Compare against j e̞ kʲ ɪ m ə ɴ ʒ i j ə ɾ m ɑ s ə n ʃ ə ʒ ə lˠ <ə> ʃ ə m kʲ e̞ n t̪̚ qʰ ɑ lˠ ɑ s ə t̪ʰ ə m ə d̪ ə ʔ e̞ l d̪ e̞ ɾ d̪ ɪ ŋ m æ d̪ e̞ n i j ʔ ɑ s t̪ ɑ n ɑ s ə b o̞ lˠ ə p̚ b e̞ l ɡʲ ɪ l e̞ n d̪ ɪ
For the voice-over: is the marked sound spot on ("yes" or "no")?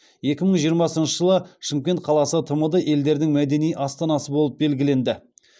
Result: yes